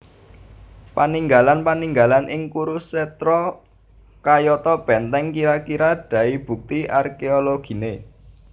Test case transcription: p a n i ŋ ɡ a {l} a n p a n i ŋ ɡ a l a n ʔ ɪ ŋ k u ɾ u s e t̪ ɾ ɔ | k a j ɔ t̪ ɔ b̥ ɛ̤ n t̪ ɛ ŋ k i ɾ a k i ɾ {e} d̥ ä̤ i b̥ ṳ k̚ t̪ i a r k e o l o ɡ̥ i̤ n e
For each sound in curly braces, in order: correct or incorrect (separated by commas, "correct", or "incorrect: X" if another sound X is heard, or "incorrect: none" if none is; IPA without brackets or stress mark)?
correct, incorrect: a